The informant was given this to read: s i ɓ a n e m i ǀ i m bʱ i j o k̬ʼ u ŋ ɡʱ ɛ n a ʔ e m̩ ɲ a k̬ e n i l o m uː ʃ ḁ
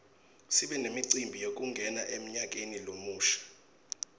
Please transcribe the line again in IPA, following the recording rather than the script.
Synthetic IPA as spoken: s i ɓ ɛ n e m i ǀ i m bʱ i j o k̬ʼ u ŋ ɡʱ ɛ n a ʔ e m̩ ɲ a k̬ e n i l o m uː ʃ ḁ